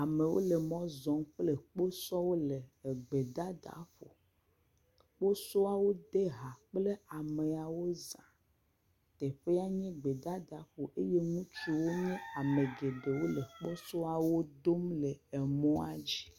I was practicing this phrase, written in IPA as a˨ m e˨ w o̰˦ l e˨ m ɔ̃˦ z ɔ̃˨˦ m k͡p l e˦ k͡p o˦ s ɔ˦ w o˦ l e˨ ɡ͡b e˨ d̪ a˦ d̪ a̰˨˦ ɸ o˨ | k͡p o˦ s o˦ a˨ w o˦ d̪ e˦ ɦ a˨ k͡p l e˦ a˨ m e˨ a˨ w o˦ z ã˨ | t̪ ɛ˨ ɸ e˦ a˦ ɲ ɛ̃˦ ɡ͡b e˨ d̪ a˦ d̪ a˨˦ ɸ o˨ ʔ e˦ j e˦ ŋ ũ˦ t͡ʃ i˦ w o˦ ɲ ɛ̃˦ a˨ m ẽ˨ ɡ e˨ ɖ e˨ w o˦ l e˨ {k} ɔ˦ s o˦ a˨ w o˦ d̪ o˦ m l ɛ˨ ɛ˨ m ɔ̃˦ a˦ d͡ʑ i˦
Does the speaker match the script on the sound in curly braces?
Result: no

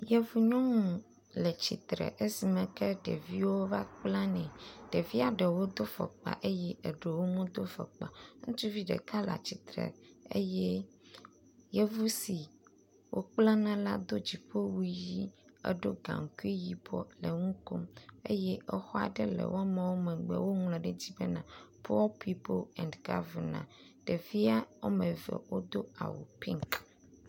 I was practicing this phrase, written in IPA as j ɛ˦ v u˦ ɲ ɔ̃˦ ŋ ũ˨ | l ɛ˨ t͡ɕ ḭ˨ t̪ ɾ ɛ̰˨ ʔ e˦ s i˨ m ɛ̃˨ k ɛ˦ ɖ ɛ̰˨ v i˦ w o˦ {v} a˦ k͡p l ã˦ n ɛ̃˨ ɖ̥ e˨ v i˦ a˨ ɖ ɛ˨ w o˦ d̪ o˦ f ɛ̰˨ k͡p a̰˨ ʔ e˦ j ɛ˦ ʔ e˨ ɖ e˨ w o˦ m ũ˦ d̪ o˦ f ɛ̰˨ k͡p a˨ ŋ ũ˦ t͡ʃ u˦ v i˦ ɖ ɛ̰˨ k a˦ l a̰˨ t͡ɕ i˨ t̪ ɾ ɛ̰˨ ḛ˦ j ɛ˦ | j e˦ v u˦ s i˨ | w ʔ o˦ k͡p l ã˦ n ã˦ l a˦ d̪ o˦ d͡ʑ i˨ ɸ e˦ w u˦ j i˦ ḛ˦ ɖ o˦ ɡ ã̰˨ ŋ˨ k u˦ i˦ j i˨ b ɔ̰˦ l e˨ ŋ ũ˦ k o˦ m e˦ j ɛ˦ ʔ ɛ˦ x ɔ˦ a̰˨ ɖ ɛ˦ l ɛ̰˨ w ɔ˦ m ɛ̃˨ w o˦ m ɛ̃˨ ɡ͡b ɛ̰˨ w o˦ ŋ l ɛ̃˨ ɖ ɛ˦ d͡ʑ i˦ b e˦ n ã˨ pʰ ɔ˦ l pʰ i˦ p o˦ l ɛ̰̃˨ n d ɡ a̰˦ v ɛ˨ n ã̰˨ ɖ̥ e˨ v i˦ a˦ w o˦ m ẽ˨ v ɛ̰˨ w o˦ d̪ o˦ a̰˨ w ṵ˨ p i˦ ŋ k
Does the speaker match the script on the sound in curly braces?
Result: yes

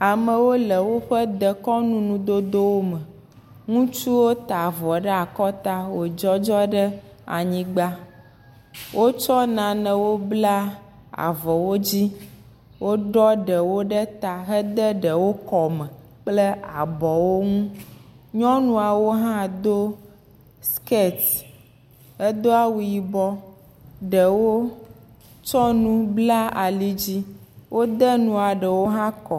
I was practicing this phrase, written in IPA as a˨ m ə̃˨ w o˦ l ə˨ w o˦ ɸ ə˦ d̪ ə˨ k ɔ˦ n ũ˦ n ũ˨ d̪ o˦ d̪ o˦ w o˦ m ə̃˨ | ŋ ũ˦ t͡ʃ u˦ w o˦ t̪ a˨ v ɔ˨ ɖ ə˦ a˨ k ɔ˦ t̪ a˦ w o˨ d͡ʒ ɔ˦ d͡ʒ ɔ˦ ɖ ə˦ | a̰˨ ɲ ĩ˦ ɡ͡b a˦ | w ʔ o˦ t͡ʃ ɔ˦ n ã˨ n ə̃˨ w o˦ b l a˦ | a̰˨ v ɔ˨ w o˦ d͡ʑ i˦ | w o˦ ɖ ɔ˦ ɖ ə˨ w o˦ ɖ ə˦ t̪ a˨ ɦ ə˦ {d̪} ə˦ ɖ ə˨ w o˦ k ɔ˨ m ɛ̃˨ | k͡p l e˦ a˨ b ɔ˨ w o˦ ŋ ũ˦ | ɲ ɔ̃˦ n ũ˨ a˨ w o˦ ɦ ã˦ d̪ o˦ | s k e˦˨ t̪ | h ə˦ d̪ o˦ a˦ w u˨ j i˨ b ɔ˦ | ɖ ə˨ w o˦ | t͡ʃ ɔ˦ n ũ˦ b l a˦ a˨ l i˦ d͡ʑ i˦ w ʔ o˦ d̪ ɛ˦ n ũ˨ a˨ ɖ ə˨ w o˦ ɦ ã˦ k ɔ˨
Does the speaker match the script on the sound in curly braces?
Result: yes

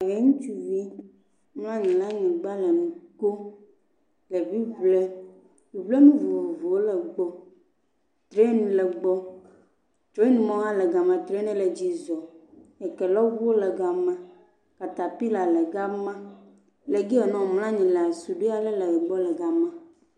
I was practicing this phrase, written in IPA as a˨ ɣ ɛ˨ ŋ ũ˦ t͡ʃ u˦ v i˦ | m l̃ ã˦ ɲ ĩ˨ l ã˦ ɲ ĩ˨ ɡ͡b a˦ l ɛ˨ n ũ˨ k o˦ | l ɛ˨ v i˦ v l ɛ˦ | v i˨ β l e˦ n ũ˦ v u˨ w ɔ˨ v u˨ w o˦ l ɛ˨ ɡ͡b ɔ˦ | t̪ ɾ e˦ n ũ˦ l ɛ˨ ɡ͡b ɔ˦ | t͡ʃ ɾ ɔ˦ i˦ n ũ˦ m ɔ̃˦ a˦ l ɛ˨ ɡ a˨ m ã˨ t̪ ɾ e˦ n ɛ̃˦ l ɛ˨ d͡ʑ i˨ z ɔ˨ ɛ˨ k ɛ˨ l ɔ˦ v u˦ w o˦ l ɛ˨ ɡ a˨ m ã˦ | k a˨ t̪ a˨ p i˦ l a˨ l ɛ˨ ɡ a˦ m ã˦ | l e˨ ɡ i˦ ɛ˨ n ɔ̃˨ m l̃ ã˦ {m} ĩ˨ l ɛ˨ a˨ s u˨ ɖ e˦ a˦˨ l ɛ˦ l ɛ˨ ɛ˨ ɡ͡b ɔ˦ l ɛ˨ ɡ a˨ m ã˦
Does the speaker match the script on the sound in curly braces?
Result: no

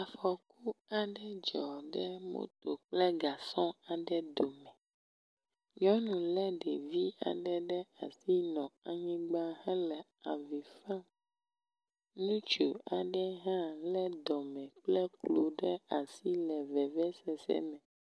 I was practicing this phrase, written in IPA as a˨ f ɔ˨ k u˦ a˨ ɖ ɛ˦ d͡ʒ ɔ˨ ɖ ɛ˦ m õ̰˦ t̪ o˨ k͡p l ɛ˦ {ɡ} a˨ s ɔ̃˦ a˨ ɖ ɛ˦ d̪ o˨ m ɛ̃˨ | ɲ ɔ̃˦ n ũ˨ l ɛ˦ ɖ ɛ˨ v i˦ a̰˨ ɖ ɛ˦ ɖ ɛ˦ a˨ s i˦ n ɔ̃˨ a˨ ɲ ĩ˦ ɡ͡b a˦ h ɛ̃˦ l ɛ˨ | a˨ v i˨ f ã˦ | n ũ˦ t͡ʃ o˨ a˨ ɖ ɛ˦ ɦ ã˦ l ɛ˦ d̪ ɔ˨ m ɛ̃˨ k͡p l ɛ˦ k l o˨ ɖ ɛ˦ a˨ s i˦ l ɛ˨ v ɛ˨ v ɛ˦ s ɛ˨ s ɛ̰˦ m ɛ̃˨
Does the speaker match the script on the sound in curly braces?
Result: yes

